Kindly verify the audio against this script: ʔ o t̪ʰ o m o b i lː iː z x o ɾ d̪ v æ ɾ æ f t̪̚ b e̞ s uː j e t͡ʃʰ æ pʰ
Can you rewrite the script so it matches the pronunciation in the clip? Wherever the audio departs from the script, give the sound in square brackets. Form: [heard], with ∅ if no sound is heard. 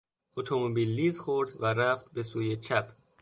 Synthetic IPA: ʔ o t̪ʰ o m o b i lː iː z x o ɾ d̪ v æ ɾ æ f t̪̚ b e̞ s uː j e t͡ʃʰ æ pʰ